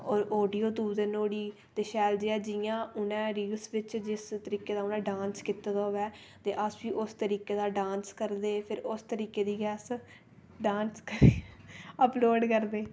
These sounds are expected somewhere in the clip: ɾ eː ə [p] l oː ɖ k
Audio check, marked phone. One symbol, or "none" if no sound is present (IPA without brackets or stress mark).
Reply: p